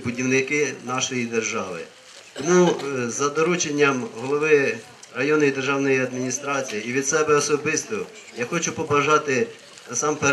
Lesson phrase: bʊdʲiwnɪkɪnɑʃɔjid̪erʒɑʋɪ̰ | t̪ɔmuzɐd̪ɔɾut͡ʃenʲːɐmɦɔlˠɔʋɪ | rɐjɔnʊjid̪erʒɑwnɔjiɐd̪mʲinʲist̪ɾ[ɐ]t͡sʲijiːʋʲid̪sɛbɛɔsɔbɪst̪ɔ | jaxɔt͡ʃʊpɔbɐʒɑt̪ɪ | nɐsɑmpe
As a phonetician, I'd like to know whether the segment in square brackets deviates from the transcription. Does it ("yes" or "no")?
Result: yes